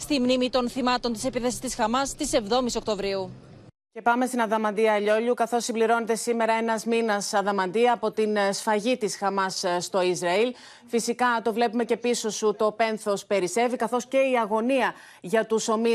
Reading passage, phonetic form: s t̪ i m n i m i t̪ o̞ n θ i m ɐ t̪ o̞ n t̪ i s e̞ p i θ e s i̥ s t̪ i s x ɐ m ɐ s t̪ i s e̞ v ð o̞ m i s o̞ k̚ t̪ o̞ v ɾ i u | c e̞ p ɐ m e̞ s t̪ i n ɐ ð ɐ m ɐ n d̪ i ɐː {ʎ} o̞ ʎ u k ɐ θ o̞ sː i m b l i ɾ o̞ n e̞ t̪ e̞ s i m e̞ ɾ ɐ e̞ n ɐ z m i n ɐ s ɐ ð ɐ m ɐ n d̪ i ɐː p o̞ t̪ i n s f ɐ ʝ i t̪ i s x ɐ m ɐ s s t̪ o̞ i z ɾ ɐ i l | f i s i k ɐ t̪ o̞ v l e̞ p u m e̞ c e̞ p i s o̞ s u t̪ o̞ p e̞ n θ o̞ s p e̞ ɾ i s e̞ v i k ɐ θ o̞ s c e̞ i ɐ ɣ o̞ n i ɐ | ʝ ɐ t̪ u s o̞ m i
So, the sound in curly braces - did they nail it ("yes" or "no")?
yes